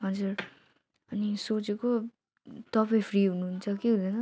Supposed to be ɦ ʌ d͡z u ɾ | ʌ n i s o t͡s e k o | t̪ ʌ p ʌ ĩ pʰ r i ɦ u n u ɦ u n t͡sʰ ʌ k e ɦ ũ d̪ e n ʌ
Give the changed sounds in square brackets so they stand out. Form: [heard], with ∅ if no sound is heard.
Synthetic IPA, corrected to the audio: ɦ ʌ d͡z u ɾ | ʌ n i s o t͡s e k o | t̪ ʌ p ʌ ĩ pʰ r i ɦ u n u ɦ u n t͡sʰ ʌ k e ɦ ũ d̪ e n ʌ